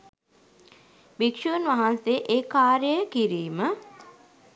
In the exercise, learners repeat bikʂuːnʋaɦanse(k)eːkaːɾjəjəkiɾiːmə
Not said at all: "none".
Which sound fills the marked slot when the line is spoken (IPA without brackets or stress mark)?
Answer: ʔ